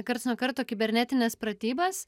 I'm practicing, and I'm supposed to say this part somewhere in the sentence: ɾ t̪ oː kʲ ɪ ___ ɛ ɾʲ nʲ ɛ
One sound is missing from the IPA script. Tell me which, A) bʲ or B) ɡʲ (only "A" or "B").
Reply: A